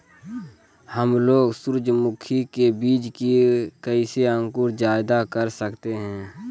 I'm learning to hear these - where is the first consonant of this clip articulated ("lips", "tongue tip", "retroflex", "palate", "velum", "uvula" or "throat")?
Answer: throat